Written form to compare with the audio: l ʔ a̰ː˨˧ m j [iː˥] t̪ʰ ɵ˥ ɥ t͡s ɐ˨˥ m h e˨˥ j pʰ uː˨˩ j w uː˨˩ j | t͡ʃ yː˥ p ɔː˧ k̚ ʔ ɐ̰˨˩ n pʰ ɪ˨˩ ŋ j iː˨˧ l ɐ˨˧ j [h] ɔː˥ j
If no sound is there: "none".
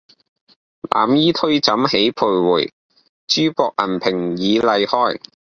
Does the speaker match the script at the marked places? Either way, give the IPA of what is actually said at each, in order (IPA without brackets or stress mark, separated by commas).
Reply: iː˥, h